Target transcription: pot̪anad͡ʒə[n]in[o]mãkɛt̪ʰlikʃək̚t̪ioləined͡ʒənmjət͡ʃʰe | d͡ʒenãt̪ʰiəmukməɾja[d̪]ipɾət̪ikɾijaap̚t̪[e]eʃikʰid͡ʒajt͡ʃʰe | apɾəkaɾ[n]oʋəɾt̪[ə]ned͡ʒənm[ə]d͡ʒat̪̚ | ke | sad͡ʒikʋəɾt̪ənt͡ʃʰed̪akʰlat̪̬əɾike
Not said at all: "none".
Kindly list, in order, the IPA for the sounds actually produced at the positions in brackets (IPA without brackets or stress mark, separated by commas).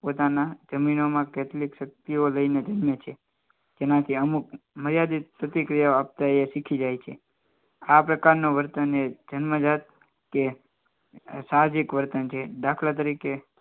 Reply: m, o, d̪, a, n, ə, ə